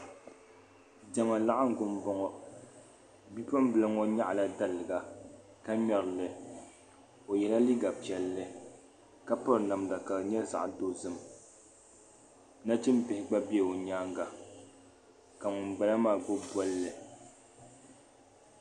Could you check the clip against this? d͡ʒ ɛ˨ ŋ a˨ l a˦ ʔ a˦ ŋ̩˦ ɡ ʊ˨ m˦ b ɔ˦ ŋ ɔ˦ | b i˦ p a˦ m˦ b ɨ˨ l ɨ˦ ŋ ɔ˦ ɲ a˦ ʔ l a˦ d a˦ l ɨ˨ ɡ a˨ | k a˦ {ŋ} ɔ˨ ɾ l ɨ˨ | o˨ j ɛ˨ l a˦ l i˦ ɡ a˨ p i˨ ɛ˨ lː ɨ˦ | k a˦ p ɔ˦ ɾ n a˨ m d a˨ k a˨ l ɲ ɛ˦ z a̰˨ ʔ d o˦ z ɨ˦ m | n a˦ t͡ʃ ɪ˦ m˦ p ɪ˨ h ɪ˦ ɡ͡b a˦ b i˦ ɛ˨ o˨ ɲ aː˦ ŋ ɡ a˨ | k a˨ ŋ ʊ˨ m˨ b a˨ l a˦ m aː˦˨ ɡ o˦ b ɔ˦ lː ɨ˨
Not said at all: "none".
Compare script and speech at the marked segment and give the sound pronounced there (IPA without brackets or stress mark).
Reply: ɲ